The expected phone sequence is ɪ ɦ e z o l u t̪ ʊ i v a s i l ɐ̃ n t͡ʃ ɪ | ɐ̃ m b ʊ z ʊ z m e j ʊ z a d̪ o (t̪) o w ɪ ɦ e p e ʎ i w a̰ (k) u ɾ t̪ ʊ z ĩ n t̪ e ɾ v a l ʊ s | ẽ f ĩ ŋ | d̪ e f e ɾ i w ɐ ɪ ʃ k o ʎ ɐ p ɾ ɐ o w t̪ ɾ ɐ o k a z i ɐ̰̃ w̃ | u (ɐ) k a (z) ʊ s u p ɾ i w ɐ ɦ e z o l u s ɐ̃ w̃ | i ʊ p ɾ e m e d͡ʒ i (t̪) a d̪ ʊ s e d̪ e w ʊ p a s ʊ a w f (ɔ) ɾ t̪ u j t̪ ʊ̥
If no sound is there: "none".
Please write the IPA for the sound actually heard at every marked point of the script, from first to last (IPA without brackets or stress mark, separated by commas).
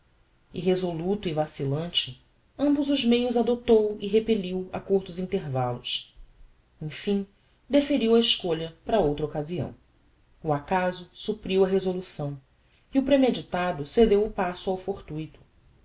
t̪, k, a, z, t̪, o